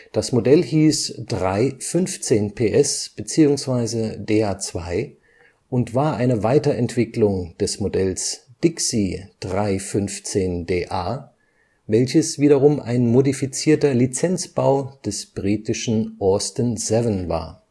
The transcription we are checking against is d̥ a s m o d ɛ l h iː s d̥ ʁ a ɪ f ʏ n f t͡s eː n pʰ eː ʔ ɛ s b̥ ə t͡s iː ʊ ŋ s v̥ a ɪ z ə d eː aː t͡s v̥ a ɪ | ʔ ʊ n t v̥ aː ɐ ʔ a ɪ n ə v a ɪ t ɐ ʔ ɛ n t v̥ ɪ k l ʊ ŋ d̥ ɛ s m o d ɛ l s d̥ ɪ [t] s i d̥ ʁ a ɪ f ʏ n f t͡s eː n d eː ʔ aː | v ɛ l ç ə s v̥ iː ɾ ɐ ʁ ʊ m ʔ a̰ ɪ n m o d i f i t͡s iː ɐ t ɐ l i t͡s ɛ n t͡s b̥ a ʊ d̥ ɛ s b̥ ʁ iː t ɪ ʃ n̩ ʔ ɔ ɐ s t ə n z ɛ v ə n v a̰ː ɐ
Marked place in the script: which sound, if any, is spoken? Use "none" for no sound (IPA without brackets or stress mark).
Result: k